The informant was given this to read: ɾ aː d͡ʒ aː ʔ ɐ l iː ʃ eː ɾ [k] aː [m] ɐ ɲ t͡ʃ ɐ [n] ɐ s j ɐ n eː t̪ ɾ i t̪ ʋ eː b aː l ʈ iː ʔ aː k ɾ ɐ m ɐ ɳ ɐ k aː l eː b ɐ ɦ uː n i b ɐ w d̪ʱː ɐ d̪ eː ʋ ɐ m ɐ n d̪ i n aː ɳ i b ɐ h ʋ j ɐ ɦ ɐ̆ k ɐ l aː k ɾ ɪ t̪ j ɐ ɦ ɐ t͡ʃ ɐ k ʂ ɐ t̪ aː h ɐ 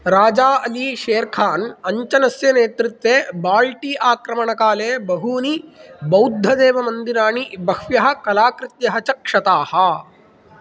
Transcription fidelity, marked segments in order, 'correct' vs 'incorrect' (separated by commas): incorrect, incorrect, correct